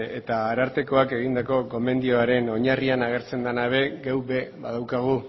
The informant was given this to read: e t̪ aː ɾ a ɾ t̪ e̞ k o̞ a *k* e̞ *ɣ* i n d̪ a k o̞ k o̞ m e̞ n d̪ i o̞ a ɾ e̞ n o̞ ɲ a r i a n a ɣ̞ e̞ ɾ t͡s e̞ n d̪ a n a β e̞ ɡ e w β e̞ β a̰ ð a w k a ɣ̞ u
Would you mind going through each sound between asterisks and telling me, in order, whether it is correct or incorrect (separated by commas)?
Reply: correct, correct